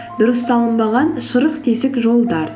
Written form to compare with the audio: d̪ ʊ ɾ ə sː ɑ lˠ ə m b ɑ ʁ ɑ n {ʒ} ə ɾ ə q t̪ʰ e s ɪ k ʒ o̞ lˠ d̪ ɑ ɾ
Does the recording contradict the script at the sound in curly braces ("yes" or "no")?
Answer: yes